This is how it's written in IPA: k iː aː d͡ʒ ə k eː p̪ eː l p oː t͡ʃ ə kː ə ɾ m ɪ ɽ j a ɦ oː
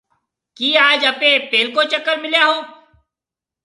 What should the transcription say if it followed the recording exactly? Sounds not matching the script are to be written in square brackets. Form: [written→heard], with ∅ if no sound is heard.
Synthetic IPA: k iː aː d͡ʒ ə [k→p] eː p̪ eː l [p→k] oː t͡ʃ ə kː ə ɾ m ɪ [ɽ→l] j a ɦ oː